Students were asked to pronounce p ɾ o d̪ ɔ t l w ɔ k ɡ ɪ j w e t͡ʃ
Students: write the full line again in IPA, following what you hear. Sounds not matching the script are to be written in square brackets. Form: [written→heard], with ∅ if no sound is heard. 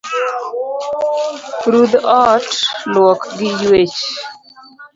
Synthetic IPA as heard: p ɾ [o→u] d̪ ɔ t l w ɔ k ɡ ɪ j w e t͡ʃ